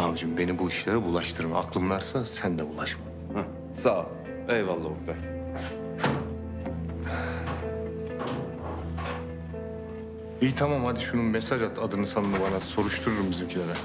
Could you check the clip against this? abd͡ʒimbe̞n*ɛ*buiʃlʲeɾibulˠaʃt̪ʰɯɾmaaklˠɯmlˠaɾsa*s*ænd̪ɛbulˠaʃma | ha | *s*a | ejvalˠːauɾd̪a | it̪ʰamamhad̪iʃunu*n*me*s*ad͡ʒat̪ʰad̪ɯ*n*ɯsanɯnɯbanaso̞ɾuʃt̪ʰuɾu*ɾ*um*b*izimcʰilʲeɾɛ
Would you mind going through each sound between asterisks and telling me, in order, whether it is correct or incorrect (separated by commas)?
incorrect, correct, correct, correct, correct, correct, correct, correct